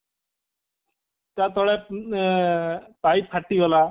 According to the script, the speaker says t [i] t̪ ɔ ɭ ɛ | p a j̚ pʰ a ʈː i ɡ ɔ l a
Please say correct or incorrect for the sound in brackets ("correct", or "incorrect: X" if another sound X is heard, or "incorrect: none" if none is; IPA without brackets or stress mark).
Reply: incorrect: a